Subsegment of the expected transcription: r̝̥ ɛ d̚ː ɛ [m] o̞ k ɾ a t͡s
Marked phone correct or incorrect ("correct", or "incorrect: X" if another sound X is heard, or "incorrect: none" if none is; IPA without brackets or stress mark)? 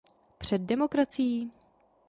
correct